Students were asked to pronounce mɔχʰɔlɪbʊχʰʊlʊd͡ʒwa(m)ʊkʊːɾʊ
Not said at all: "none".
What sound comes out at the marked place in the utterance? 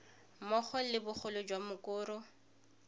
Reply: m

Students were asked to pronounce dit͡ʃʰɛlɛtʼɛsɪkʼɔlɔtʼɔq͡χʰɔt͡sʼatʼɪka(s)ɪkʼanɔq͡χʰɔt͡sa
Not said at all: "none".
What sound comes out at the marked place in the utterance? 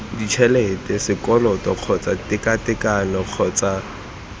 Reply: t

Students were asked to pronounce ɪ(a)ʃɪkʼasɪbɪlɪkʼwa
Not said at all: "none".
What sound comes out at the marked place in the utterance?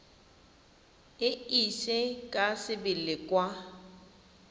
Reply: i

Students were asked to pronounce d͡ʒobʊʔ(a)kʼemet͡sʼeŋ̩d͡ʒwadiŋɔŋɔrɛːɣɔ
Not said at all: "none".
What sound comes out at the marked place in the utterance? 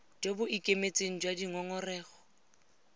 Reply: i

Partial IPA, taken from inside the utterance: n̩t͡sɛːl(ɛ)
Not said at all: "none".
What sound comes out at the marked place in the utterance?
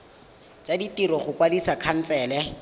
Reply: ɛ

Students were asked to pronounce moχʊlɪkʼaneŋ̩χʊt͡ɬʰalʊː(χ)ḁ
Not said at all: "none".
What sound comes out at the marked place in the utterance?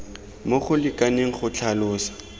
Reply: s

